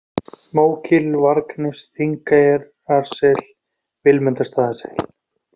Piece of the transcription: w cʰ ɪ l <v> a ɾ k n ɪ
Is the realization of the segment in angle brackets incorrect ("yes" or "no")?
no